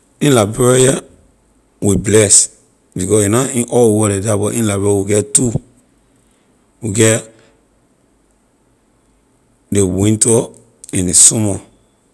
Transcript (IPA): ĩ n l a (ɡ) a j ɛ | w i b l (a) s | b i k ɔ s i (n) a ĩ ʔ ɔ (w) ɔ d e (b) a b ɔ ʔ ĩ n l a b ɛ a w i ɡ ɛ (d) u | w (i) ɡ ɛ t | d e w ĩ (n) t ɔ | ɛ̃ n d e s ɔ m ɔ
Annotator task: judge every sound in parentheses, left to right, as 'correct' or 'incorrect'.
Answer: incorrect, incorrect, correct, correct, incorrect, incorrect, correct, correct

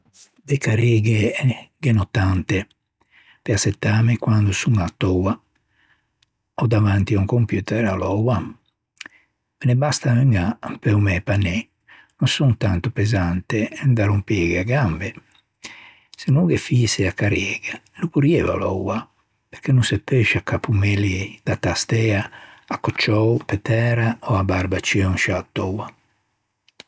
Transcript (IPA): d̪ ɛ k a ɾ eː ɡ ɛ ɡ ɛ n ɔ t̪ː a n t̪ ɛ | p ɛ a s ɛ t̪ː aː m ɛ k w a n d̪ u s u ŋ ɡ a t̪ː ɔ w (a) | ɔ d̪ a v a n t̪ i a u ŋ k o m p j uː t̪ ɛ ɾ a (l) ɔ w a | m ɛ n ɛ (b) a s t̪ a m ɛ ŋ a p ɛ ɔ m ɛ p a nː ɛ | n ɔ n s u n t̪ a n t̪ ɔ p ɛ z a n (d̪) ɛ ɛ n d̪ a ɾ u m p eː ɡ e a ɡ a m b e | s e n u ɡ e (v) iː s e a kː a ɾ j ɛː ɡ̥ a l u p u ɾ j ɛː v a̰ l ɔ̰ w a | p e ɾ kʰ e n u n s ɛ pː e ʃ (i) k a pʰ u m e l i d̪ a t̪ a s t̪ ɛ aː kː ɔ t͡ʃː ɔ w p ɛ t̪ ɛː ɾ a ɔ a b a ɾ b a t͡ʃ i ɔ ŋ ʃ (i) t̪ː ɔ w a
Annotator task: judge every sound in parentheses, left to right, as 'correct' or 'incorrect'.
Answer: correct, correct, correct, incorrect, incorrect, incorrect, incorrect

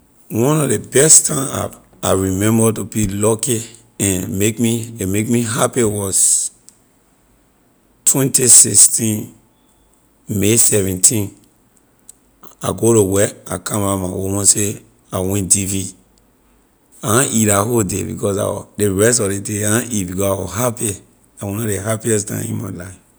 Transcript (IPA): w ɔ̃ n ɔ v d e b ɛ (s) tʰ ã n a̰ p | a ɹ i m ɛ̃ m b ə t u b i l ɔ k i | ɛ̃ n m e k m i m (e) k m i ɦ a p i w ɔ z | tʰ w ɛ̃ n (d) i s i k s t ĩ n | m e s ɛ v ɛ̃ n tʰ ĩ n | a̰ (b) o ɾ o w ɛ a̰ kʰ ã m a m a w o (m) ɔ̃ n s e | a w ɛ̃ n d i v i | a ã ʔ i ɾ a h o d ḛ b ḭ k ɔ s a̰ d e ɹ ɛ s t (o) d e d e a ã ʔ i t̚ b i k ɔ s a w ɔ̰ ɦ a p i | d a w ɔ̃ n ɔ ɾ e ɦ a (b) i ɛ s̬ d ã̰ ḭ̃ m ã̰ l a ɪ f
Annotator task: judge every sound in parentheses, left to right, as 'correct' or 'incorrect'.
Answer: correct, correct, incorrect, incorrect, correct, incorrect, incorrect

